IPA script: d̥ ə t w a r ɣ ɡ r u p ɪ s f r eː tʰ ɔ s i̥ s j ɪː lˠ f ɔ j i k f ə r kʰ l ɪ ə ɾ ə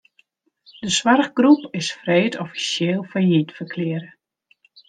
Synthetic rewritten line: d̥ ə s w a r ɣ ɡ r u p ɪ s f r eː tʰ ɔ f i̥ s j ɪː lˠ f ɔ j i t f ə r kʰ l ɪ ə ɾ ə